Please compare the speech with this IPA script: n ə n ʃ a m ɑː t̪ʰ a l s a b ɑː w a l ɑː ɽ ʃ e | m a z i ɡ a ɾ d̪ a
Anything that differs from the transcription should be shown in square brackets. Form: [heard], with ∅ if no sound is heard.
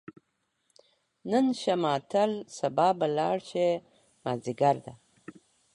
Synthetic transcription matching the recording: n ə n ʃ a m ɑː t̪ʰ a l s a b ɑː [b] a l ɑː ɽ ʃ e | m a z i ɡ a ɾ d̪ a

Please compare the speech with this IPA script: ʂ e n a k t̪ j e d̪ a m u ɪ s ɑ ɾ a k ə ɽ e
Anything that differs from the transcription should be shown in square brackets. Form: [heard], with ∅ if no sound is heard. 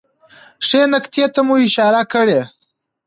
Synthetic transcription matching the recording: ʂ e n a k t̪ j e [t̪] a m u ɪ [ʃ] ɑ ɾ a k ə ɽ e

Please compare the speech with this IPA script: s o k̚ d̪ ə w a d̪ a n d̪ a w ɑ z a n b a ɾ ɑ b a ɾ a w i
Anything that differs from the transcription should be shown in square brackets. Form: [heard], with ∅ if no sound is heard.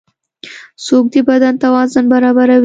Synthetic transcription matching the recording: s o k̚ d̪ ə [b] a d̪ a n [t̪] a w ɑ z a n b a ɾ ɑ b a ɾ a w i

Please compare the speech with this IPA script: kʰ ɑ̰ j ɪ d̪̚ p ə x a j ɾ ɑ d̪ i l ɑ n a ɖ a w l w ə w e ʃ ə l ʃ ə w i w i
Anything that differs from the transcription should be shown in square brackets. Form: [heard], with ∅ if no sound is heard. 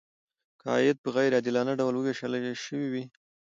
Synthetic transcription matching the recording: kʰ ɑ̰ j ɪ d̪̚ p ə [ɣ] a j ɾ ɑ d̪ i l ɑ n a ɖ a w l w ə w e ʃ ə l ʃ ə w i w i

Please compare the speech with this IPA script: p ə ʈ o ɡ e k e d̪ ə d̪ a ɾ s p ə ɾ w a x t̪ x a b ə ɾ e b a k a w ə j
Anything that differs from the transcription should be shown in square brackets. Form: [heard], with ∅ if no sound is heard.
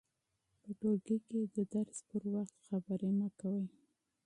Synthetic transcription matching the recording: p ə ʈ o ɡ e k e d̪ ə d̪ a ɾ s p ə ɾ w a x t̪ x a b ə ɾ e [m] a k a w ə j

